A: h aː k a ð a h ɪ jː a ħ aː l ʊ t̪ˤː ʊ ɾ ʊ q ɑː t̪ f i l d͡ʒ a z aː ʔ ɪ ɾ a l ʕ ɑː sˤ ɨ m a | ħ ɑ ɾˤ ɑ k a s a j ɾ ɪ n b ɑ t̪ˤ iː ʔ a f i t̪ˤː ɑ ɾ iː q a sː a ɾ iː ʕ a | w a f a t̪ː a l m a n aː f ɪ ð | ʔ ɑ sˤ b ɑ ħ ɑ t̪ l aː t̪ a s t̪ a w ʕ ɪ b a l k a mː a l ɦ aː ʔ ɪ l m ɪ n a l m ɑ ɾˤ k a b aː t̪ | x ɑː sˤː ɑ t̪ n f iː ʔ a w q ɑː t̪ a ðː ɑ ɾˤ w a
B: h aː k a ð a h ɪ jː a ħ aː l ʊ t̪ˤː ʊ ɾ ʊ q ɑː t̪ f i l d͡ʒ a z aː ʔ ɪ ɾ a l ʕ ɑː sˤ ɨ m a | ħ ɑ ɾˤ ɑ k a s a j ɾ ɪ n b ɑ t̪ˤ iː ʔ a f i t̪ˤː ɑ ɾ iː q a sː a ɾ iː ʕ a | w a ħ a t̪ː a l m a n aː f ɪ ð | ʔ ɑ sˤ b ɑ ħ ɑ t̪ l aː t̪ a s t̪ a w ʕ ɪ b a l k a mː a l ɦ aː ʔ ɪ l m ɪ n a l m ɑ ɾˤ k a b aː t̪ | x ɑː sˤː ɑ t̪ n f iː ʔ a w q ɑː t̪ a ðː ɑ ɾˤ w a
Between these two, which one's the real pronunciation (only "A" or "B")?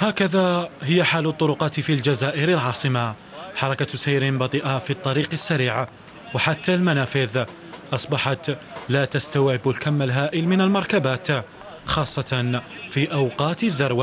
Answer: B